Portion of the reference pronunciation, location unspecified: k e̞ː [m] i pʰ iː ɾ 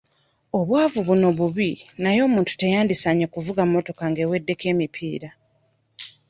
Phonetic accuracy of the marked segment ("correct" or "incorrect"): correct